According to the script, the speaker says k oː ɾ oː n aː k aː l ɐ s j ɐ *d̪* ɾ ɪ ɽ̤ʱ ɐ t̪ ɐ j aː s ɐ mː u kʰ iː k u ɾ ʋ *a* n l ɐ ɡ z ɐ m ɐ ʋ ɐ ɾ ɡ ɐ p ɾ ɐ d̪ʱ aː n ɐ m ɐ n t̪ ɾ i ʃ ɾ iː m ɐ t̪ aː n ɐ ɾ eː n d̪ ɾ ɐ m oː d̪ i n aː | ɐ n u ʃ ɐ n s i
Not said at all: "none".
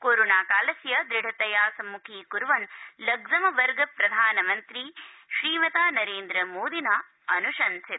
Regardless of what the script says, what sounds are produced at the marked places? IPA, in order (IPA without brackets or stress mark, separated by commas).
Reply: d̪, ɐ